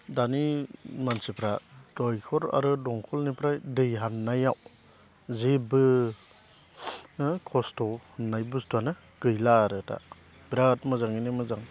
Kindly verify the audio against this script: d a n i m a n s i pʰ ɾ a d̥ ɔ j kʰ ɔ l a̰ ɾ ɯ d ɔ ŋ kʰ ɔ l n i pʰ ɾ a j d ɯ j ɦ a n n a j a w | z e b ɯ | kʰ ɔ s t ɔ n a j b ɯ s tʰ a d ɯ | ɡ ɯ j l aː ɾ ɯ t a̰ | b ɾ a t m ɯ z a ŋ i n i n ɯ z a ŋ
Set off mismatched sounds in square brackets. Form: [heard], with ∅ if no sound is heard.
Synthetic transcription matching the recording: d a n i m a n s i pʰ ɾ a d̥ ɔ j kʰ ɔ [ɾ] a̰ ɾ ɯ d ɔ ŋ kʰ ɔ l n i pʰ ɾ a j d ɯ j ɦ a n n a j a w | z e b ɯ | kʰ ɔ s t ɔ n a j b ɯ s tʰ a [n] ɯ | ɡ ɯ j l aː ɾ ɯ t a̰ | b ɾ a t m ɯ z a ŋ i n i [m] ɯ z a ŋ